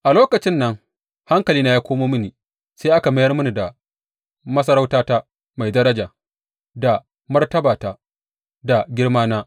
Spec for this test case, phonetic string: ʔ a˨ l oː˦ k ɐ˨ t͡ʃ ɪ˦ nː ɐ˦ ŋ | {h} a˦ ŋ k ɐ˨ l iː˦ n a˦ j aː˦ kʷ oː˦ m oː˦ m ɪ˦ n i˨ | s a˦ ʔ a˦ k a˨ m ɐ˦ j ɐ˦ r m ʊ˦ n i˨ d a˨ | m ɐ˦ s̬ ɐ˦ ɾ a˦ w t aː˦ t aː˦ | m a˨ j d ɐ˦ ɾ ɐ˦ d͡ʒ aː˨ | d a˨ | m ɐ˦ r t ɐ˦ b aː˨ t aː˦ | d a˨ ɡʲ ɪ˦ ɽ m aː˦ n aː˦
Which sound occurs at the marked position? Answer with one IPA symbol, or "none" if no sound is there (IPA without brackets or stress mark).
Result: h